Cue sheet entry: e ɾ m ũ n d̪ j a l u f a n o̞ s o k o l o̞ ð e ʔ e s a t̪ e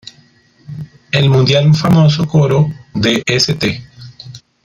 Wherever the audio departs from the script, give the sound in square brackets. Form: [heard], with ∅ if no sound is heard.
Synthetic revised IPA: e [l] m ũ n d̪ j a l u f a [m] o̞ s o k o [ɾ] o̞ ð e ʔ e s [e] t̪ e